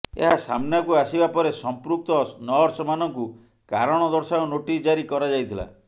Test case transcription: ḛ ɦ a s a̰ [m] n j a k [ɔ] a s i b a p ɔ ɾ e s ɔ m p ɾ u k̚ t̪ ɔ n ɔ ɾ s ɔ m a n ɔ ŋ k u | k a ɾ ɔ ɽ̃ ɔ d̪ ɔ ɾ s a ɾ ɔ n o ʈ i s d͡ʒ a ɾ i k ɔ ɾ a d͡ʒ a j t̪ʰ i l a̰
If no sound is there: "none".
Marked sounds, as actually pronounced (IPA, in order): m, u

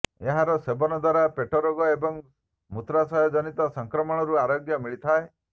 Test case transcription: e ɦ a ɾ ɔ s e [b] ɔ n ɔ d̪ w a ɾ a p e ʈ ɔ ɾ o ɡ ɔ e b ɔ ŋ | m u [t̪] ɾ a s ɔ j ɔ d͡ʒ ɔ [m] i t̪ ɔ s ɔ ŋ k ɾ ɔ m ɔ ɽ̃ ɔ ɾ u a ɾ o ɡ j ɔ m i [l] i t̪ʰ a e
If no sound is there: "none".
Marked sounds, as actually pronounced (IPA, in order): b, t̪, n, ɭ

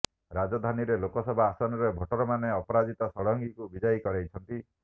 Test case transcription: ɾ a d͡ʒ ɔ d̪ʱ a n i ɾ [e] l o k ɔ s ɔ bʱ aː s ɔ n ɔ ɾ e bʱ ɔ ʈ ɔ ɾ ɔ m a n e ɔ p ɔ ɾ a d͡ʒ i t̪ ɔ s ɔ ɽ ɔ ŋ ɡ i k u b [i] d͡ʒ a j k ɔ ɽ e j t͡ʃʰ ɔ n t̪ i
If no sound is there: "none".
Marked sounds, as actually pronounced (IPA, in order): e, i

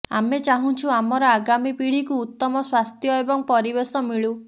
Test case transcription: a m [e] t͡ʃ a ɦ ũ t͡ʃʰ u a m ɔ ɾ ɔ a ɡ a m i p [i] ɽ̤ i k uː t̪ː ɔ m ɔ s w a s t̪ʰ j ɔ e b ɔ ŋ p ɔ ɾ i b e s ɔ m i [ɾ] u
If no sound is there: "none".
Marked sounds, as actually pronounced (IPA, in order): e, i, ɭ

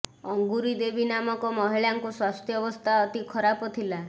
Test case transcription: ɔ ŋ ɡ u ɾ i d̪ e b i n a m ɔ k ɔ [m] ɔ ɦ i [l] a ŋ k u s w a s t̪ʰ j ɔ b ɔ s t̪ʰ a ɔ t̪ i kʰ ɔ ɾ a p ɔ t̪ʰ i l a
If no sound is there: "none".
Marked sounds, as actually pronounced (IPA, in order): m, ɭ

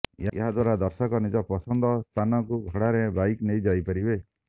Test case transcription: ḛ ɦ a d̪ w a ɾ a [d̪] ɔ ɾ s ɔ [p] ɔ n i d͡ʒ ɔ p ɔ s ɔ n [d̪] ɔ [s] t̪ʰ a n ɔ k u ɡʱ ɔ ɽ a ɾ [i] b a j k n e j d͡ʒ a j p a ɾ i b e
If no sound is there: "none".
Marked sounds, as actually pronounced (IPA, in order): d̪, k, d̪, s, e

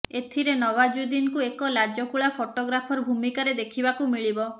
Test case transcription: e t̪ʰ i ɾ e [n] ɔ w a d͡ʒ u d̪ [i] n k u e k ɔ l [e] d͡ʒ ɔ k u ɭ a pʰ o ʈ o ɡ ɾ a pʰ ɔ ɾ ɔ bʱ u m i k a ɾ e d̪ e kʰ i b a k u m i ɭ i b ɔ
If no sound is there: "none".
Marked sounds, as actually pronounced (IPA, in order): n, i, a

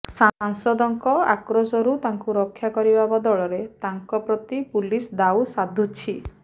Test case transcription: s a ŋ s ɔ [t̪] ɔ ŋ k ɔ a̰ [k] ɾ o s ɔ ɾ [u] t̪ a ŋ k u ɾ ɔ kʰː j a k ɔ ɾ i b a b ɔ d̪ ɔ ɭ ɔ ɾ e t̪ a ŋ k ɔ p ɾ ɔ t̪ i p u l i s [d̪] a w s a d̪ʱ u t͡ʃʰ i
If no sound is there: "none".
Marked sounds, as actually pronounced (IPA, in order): d̪, k, u, d̪

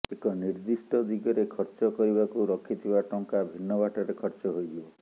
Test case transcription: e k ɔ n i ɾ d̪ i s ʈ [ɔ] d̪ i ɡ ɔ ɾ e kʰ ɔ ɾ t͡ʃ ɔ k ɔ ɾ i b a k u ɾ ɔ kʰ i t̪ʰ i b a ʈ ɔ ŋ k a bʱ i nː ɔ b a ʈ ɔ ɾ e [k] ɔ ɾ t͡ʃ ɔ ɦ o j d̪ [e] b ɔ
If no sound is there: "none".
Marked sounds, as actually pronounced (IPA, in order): ɔ, kʰ, i

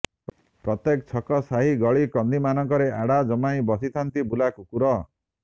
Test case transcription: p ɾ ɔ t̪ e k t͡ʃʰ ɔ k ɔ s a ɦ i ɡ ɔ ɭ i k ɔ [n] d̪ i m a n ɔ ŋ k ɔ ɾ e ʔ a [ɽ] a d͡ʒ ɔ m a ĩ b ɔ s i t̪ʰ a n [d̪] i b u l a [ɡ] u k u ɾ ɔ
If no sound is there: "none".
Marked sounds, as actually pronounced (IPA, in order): n, ɽ, t̪, k

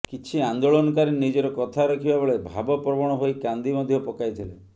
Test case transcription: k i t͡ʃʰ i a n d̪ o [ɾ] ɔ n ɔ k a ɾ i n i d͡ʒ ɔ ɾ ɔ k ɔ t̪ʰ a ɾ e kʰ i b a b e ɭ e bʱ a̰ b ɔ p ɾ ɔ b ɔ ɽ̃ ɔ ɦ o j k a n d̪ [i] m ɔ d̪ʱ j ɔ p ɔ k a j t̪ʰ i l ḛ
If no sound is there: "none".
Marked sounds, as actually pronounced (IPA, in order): ɭ, i

